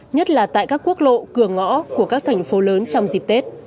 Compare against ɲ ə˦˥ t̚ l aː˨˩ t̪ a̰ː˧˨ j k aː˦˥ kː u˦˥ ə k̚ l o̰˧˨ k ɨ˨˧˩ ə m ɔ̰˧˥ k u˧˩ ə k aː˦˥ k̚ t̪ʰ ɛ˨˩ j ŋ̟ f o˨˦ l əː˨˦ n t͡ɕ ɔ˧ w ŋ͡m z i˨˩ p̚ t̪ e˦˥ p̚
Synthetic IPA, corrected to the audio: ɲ ə˦˥ t̚ l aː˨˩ t̪ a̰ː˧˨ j k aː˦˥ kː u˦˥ ə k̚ l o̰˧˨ k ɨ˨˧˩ ə ŋ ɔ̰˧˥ k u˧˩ ə k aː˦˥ k̚ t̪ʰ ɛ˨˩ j ŋ̟ f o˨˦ l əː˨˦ n t͡ɕ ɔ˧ w ŋ͡m z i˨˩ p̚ t̪ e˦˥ t̚